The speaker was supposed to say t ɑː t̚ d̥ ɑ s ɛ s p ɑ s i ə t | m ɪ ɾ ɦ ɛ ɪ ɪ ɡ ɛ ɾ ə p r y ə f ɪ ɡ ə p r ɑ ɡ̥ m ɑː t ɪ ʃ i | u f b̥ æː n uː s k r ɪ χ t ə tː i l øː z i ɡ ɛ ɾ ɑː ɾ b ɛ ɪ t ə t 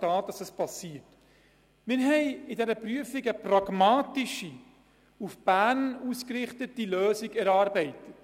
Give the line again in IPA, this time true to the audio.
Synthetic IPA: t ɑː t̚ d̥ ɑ s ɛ s p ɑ s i ə t | m ɪ ɾ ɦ ɛ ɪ ɪ d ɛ ɾ ə p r y ə f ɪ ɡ ə p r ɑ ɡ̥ m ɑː t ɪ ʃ i | u f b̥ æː n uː s k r ɪ χ t ə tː i l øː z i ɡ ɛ ɾ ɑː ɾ b ɛ ɪ t ə t

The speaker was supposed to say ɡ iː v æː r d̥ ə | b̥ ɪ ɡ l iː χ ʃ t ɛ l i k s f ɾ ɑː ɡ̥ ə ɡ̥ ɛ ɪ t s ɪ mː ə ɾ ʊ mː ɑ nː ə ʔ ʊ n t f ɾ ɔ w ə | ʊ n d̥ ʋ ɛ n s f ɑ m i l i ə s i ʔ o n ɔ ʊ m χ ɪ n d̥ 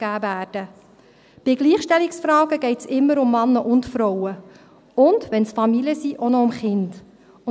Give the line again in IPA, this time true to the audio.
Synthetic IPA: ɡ æː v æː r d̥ ə | b̥ ɪ ɡ l iː χ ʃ t ɛ l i k s f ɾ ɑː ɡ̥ ə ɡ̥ ɛ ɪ t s ɪ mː ə ɾ ʊ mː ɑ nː ə ʔ ʊ n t f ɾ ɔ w ə | ʊ n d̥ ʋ ɛ n s f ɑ m i l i ə s i ʔ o n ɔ ʊ m χ ɪ n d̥

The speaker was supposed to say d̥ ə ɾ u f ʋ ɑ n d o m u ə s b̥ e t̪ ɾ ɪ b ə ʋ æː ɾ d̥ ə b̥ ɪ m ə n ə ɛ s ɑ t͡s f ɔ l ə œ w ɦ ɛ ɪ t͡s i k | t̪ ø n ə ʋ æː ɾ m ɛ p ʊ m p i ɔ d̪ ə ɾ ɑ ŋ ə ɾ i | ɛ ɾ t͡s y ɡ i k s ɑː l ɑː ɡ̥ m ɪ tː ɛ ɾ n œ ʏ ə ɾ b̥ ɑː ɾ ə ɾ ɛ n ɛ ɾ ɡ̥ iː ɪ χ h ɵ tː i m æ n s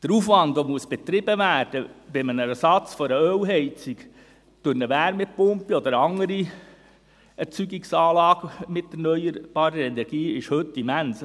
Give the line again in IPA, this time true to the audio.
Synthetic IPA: d̥ ə ɾ u f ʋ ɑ n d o m u ə s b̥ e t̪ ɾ ɪ b ə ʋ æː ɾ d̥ ə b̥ ɪ m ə n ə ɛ s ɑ t͡s f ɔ ɾ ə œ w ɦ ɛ ɪ t͡s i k | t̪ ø n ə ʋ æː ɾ m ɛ p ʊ m p i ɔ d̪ ə ɾ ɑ ŋ ə ɾ i | ɛ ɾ t͡s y ɡ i k s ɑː l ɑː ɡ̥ m ɪ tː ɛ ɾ n œ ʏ ə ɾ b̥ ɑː ɾ ə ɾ ɛ n ɛ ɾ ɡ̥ iː ɪ ʃ h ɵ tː i m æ n s

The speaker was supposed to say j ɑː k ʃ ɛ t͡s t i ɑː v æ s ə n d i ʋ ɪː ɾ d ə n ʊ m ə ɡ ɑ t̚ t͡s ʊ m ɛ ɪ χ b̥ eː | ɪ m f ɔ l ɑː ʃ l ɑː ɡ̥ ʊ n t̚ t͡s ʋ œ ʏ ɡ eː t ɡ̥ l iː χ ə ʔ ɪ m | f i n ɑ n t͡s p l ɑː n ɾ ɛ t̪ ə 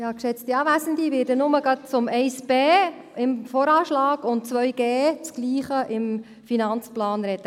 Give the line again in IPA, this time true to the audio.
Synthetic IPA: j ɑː k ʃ ɛ t͡s t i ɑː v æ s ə n d i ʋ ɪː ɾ d ə n ʊ m ə ɡ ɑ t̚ t͡s ʊ m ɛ ɪ s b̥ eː | ɪ m f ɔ ɾ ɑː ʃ l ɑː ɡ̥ ʊ n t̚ t͡s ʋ œ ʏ ɡ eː t͡s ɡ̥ l iː χ ə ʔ ɪ m | f i n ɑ n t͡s p l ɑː n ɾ ɛ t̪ ə

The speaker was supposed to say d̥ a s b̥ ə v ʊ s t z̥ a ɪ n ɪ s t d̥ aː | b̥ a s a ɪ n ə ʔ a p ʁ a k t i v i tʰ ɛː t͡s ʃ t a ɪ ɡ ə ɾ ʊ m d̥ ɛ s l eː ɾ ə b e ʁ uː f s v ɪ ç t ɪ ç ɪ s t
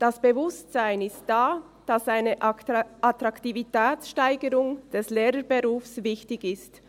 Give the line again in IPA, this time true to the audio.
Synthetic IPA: d̥ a s b̥ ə v ʊ s t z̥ a ɪ n ɪ s t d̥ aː | d̥ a s a ɪ n ə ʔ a t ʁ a k t i v i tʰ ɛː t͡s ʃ t a ɪ ɡ ə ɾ ʊ ŋ d̥ ɛ s l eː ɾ ə b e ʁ uː f s v ɪ ç t ɪ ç ɪ s t

